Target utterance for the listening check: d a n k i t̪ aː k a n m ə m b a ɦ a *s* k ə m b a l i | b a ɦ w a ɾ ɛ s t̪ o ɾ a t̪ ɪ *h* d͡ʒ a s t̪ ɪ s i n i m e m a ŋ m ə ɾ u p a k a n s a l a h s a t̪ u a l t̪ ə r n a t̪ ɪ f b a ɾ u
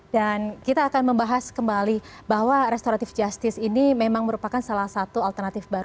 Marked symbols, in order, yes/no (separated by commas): yes, no